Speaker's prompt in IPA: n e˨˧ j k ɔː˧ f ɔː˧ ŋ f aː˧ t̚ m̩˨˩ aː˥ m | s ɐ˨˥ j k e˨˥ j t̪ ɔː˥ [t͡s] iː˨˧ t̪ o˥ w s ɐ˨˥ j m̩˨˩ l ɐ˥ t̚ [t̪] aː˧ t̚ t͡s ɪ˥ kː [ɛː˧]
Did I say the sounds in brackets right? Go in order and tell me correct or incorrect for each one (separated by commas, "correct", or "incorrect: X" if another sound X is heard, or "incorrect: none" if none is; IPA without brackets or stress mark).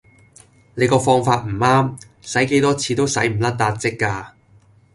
incorrect: t͡sʰ, correct, incorrect: aː˧